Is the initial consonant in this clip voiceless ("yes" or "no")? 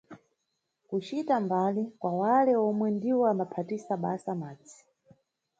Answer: yes